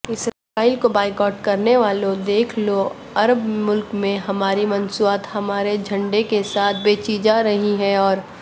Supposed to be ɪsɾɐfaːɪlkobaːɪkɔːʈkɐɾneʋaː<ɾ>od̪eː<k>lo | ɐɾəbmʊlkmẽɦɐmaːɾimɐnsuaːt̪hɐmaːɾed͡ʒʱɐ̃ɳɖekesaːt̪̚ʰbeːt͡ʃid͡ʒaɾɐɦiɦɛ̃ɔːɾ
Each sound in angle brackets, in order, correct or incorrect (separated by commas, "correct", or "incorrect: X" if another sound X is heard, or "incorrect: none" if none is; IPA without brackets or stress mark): incorrect: l, incorrect: kʰ